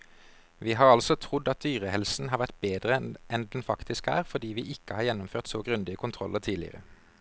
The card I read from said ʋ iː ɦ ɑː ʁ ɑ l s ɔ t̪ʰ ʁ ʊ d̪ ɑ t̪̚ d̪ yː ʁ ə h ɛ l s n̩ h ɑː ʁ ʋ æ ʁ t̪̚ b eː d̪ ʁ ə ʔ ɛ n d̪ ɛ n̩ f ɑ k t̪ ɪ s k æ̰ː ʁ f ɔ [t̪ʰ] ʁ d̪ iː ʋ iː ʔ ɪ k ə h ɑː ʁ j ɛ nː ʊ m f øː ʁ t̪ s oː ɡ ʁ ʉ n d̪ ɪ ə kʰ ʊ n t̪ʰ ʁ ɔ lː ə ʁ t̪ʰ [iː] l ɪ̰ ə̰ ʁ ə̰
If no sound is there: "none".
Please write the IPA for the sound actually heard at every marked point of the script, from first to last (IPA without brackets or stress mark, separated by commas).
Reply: none, iː